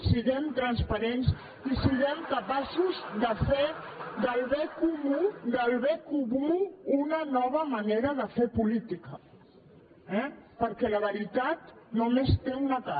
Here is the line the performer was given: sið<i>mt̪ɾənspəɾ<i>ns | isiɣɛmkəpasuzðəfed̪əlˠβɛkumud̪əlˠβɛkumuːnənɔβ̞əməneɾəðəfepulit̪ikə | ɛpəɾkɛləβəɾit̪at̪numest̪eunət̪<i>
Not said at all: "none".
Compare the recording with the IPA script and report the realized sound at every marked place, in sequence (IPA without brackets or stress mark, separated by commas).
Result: ɛ, e, a